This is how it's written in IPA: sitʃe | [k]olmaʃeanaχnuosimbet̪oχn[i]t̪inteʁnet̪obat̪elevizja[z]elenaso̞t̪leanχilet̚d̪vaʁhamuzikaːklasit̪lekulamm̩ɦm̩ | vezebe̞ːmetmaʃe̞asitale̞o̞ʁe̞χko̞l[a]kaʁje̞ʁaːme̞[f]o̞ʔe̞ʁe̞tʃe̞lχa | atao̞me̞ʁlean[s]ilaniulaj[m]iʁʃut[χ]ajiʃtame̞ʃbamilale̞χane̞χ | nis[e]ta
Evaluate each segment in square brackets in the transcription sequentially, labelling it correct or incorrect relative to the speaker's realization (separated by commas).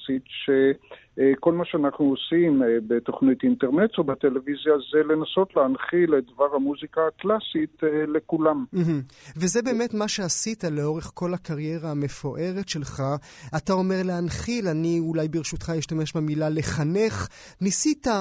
correct, correct, correct, correct, correct, incorrect, incorrect, correct, incorrect